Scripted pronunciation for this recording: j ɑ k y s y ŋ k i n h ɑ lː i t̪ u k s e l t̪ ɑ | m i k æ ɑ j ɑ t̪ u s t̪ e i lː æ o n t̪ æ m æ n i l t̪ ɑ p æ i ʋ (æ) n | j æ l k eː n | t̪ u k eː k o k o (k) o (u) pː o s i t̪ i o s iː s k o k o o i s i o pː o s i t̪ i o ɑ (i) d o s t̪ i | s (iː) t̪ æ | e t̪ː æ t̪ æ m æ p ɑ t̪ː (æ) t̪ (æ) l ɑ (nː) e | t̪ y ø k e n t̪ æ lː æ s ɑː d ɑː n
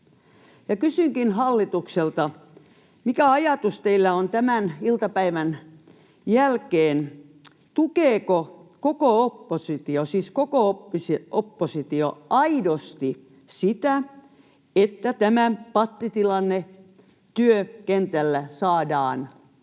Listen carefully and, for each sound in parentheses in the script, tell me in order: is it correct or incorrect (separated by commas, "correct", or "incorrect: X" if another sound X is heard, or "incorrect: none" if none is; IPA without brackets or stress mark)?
correct, correct, incorrect: o, correct, incorrect: i, incorrect: i, incorrect: i, correct